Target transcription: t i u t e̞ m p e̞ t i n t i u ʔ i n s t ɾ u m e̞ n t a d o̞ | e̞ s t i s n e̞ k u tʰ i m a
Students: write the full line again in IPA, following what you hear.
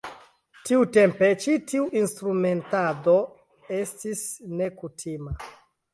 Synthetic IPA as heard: t i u t e̞ m p e̞ t͡ʃ i t i u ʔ i n s t ɾ u m e̞ n t a d o̞ | e̞ s t i s n e̞ k u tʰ i m a

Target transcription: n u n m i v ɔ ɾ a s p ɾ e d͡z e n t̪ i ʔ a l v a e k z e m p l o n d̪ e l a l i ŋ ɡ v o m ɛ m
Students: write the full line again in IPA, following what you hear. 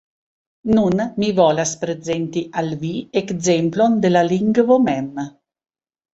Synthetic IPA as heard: n u n m i v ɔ l a s p ɾ e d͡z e n t̪ i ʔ a l v i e k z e m p l o n d̪ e l a l i ŋ ɡ v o m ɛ m

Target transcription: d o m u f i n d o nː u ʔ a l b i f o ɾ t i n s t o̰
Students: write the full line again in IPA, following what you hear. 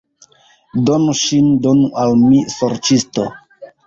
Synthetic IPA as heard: d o n u ʃ i n d o n u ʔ a l m i s o ɾ t͡ʃ i s t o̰

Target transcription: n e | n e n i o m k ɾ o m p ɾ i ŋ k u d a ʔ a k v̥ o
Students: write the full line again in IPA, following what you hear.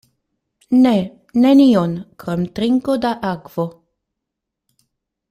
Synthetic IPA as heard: n e | n e n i o n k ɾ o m t ɾ i ŋ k o d a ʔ a k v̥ o

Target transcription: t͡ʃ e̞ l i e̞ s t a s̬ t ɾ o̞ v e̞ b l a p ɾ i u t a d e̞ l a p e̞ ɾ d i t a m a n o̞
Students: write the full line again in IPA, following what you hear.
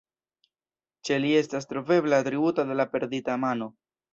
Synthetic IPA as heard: t͡ʃ e̞ l i e̞ s t a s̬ t ɾ o̞ v e̞ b l a t ɾ i u t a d e̞ l a p e̞ ɾ d i t a m a n o̞

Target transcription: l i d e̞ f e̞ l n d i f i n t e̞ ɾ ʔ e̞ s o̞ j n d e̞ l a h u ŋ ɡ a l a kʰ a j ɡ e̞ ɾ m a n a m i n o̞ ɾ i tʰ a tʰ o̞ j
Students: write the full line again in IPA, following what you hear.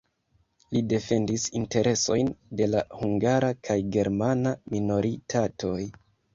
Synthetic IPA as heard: l i d e̞ f e̞ n d i s i n t e̞ ɾ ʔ e̞ s o̞ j n d e̞ l a h u ŋ ɡ a ɾ a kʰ a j ɡ e̞ ɾ m a n a m i n o̞ ɾ i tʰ a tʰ o̞ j

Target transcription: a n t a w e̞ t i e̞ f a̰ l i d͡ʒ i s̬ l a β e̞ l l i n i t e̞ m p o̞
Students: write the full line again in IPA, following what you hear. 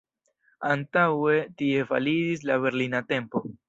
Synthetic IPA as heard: a n t a w e̞ t i e̞ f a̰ l i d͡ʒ i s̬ l a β e̞ ɾ l i n a t e̞ m p o̞

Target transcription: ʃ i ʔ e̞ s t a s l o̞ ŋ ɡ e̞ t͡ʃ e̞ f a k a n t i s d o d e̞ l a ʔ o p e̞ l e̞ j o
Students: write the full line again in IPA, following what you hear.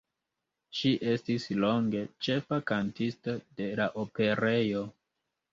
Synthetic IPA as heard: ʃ i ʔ e̞ s t i s l o̞ ŋ ɡ e̞ t͡ʃ e̞ f a k a n t i s t o d e̞ l a ʔ o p e̞ ɾ e̞ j o

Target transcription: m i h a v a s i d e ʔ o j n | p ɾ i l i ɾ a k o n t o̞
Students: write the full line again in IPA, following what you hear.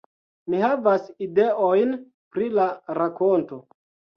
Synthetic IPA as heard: m i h a v a s i d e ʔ o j n | p ɾ i l a ɾ a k o n t o̞

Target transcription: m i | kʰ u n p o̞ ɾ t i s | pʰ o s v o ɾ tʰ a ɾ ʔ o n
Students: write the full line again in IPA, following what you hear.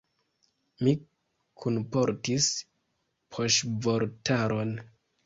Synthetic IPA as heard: m i | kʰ u n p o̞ ɾ t i s | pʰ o ʃ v o ɾ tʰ a ɾ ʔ o n

